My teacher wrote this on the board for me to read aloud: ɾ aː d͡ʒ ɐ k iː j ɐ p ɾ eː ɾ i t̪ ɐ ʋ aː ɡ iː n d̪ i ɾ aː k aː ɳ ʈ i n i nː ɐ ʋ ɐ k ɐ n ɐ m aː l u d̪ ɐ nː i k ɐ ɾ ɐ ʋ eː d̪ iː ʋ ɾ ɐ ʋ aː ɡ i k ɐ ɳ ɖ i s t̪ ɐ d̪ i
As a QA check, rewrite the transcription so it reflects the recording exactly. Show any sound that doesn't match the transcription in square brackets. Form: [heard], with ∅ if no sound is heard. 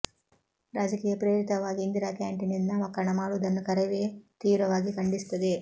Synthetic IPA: ɾ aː d͡ʒ ɐ k iː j ɐ p ɾ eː ɾ i t̪ ɐ ʋ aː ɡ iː n d̪ i ɾ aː k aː ɳ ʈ i n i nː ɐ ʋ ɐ k ɐ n ɐ m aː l u d̪ ɐ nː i k ɐ ɾ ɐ ʋ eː [t̪] iː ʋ ɾ ɐ ʋ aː ɡ i k ɐ ɳ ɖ i s t̪ ɐ d̪ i